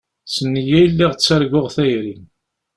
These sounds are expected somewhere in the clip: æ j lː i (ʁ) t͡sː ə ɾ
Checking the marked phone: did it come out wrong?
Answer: no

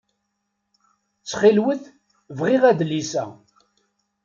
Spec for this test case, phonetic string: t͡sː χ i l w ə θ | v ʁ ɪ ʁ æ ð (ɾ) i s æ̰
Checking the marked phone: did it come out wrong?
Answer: yes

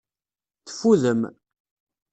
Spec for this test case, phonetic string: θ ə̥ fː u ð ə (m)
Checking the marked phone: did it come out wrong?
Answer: no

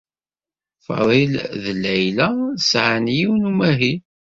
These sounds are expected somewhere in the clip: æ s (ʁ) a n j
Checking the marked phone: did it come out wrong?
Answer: yes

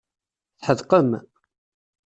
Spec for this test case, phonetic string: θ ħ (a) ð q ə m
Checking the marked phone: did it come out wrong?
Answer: yes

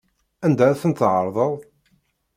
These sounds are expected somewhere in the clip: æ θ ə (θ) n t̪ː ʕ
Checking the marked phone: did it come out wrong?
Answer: yes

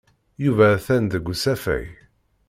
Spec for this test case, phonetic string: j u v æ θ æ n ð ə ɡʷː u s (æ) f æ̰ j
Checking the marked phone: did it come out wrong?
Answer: no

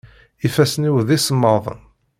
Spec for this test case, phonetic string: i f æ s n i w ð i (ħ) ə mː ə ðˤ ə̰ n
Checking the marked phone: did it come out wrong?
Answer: yes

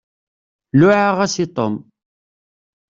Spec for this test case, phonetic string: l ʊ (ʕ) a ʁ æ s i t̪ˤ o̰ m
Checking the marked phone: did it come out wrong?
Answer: no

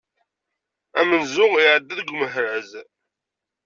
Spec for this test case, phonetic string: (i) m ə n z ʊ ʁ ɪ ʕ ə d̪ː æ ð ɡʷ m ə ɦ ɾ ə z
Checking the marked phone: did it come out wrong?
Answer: yes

